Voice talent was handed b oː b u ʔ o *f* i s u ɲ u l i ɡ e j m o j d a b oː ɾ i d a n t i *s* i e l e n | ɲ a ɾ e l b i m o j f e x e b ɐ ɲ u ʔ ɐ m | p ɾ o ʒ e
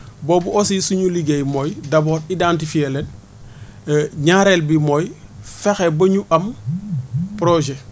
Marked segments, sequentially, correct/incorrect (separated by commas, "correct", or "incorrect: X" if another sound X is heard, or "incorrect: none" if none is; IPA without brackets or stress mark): incorrect: s, incorrect: f